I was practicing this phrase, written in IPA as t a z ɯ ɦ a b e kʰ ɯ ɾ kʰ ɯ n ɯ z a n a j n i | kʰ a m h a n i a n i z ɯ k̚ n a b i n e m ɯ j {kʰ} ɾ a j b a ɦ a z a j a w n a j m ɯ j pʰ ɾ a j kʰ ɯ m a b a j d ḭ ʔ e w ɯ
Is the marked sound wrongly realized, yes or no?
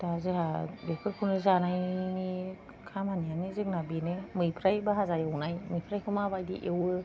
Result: yes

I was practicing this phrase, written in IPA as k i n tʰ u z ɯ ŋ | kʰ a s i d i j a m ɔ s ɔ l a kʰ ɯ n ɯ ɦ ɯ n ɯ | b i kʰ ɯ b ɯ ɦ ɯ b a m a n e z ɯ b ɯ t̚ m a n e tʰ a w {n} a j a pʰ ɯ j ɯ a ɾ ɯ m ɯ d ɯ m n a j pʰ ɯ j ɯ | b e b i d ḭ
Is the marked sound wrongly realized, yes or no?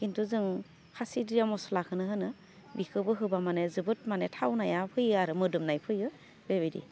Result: no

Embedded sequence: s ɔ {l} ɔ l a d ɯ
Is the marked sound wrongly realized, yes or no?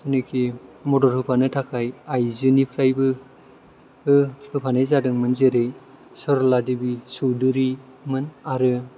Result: yes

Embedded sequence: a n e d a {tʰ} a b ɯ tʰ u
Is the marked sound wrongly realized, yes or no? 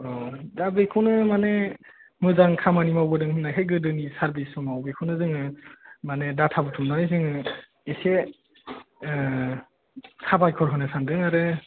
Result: no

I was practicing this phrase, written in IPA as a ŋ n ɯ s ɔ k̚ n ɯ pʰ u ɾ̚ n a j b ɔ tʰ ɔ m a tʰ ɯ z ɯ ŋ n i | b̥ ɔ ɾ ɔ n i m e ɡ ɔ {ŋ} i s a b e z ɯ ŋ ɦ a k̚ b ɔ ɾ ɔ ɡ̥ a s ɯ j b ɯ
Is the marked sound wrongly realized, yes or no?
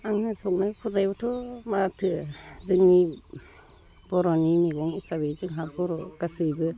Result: no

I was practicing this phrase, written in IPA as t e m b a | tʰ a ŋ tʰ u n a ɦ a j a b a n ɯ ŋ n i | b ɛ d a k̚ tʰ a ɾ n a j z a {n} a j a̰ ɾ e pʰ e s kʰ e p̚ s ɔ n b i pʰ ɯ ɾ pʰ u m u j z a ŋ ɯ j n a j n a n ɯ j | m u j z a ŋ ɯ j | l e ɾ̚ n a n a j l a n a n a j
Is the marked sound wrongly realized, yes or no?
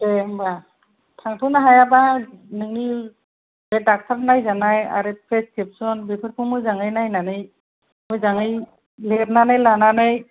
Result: no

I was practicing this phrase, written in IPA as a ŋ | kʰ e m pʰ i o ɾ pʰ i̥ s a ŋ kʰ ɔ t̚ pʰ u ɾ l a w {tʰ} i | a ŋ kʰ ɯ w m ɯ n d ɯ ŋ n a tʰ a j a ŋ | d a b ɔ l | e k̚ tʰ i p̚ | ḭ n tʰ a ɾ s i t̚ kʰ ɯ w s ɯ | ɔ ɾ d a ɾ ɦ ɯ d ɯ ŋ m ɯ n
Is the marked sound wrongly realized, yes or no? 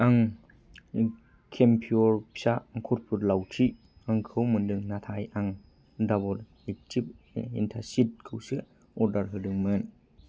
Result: no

